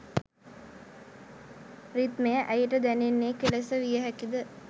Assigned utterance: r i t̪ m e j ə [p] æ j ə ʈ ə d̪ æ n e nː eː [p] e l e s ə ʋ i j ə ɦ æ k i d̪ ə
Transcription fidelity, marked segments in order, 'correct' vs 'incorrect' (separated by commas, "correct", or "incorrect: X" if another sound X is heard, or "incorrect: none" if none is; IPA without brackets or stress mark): incorrect: ʔ, incorrect: k